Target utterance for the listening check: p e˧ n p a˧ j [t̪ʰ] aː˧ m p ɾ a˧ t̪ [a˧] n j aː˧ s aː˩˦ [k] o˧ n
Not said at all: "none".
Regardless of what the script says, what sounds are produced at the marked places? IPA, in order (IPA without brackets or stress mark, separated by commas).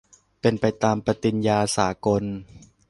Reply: t̪, i˧, k